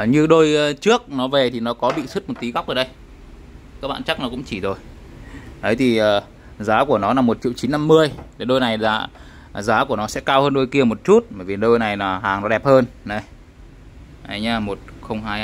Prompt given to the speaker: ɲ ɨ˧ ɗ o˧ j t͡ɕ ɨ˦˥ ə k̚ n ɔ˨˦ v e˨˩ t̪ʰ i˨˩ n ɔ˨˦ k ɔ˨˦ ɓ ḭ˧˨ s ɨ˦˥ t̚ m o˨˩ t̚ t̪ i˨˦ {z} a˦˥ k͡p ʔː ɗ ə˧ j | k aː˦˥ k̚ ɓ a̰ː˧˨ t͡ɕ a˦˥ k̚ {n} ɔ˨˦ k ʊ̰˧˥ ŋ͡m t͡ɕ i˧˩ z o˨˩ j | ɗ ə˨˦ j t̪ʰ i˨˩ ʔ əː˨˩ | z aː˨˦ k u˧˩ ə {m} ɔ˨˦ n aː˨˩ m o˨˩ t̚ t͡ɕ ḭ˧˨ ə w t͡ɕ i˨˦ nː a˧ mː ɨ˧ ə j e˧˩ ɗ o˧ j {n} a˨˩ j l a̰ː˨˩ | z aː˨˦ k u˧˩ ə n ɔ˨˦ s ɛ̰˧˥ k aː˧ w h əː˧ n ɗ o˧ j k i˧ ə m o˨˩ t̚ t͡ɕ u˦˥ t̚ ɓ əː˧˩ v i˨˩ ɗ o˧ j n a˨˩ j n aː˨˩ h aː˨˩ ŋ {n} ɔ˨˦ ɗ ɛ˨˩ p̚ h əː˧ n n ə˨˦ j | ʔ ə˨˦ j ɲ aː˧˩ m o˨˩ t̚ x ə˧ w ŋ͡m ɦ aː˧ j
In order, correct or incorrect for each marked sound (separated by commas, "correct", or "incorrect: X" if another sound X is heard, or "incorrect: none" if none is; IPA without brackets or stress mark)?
incorrect: ɣ, correct, incorrect: n, correct, correct